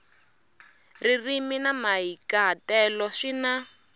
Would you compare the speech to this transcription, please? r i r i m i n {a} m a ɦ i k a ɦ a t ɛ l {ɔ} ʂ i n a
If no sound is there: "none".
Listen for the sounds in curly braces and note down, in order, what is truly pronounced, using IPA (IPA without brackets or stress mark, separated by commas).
a, ɔ